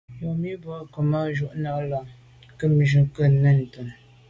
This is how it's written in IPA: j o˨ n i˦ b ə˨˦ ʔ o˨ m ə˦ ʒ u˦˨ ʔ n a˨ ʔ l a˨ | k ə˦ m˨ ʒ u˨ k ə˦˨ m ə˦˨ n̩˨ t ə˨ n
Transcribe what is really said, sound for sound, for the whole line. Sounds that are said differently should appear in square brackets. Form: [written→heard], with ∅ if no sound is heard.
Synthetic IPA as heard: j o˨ [n→m] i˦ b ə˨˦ [ʔ→k] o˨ m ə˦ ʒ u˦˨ ʔ n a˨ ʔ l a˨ | k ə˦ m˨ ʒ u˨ k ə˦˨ [m→n] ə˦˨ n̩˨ t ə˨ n